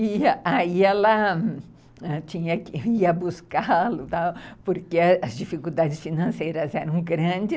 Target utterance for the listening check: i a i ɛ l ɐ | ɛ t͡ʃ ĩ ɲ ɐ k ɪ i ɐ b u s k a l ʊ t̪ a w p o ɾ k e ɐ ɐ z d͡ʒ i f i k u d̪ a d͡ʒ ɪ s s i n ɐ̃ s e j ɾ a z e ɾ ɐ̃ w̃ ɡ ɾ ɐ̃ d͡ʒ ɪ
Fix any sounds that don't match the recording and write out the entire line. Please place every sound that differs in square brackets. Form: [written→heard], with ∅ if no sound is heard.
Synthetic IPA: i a i ɛ l ɐ | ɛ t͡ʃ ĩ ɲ ɐ k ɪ i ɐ b u s k a l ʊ t̪ a w p o ɾ k e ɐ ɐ z d͡ʒ i f i k u d̪ a d͡ʒ ɪ s [s→f] i n ɐ̃ s e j ɾ [a→ɐ] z [e→ɛ] ɾ ɐ̃ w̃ ɡ ɾ ɐ̃ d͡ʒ ɪ